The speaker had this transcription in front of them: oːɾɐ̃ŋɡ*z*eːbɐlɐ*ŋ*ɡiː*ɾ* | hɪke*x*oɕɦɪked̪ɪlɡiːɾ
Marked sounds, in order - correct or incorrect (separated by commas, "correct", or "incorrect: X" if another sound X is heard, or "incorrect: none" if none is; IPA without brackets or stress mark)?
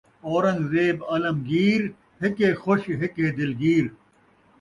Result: correct, incorrect: m, correct, correct